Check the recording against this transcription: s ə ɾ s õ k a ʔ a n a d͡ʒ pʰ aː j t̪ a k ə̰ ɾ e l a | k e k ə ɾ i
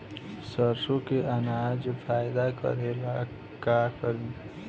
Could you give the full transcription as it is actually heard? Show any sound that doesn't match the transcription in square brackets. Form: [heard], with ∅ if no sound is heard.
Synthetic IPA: s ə ɾ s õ k [e] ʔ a n a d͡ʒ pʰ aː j [d̪] a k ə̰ ɾ e l a | k [a] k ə ɾ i